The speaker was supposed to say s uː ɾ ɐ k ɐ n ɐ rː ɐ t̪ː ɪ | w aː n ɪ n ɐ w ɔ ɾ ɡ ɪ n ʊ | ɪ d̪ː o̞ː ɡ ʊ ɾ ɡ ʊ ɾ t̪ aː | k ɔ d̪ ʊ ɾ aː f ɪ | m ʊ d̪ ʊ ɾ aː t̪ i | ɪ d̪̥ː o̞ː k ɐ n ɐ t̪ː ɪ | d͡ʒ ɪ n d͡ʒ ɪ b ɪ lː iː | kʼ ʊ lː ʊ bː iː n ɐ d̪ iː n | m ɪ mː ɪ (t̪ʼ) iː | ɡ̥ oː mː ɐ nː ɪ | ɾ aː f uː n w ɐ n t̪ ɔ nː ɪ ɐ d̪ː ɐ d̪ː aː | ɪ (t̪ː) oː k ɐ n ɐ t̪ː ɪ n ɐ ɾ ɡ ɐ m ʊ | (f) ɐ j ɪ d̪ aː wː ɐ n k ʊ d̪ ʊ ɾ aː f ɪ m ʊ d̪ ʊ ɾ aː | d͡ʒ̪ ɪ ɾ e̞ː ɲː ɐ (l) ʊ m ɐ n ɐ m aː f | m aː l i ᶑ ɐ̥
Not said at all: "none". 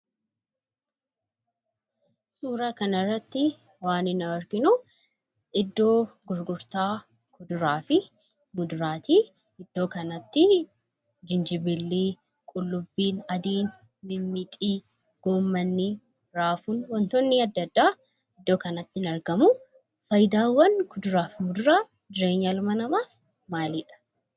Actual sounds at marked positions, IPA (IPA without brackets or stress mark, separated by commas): t̪ʼ, d̪ː, f, l